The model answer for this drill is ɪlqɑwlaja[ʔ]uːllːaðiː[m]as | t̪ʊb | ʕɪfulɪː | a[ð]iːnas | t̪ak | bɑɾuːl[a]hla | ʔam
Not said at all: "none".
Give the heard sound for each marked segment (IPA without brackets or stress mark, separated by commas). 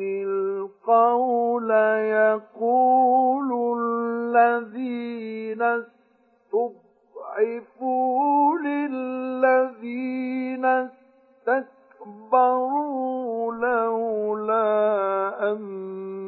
q, n, ð, a